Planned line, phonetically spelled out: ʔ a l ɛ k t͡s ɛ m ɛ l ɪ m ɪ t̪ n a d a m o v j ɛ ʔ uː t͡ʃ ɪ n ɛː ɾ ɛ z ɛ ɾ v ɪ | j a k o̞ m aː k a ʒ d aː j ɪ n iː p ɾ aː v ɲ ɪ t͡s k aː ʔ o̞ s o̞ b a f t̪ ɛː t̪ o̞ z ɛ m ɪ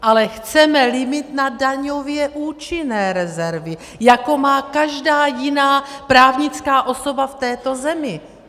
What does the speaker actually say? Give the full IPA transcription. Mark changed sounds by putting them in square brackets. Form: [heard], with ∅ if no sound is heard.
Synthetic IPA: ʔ a l ɛ [x] t͡s ɛ m ɛ l ɪ m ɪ t̪ n a d a [ɲ] o v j ɛ ʔ uː t͡ʃ ɪ n ɛː ɾ ɛ z ɛ ɾ v ɪ | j a k o̞ m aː k a ʒ d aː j ɪ n [aː] p ɾ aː v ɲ ɪ t͡s k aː ʔ o̞ s o̞ b a f t̪ ɛː t̪ o̞ z ɛ m ɪ